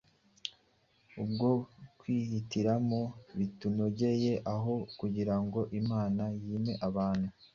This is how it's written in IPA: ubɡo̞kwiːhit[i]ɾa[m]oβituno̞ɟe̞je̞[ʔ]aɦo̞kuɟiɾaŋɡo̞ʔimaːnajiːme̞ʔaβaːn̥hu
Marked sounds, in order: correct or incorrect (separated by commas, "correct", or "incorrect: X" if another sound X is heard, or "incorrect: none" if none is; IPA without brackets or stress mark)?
correct, correct, correct